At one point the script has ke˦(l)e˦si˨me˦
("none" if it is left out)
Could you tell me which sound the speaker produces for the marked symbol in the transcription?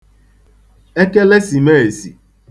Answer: l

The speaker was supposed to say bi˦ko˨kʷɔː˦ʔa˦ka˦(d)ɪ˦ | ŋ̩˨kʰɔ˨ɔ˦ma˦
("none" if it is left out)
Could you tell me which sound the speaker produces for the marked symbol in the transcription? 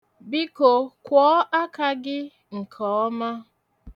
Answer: ɡ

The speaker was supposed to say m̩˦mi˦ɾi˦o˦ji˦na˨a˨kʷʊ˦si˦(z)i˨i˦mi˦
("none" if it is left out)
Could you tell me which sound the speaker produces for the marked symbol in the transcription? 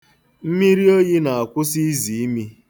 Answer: z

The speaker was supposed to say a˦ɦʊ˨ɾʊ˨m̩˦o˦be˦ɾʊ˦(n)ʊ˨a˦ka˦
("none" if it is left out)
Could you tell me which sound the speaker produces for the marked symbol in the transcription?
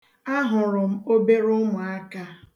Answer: m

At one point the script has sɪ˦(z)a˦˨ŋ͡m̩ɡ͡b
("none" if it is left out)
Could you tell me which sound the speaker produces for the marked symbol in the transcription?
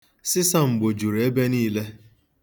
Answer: s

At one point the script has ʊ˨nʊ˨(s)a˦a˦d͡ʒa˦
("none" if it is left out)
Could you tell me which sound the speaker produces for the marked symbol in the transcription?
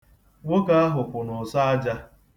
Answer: s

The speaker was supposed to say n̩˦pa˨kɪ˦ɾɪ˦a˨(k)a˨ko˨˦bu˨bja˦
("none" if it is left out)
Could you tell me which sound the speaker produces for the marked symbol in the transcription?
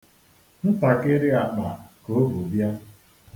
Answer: k͡p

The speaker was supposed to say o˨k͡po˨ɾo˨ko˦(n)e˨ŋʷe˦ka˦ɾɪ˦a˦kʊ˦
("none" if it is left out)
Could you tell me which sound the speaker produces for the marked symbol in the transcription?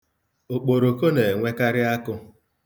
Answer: n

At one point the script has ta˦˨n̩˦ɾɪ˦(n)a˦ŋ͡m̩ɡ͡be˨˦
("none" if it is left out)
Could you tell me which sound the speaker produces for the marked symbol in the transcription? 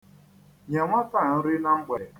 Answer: n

